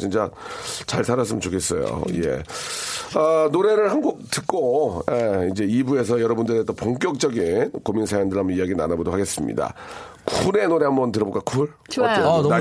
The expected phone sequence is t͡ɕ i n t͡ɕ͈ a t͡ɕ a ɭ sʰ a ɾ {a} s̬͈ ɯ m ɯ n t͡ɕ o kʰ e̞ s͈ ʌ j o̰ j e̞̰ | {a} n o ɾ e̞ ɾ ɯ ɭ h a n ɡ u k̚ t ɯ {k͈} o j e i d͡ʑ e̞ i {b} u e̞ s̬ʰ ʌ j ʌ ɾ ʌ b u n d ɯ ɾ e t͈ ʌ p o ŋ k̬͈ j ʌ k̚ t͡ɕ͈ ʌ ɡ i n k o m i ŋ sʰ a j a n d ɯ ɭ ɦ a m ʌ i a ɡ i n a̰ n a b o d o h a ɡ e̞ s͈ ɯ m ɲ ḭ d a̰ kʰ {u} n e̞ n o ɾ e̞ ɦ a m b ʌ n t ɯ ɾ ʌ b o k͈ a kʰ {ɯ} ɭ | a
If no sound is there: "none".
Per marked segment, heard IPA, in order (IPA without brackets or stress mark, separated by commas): a, ʌ, k͈, b, u, u